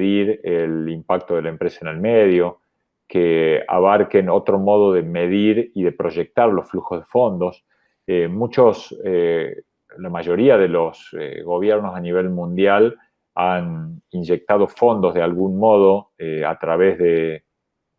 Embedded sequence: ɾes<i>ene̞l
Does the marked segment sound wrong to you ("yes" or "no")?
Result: yes